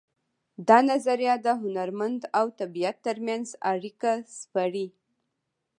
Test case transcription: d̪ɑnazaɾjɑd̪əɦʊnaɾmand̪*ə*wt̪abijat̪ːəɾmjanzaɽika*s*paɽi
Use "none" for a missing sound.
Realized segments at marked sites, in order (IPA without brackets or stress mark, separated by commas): a, s